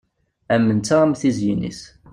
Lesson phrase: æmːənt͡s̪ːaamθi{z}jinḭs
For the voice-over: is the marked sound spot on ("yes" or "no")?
yes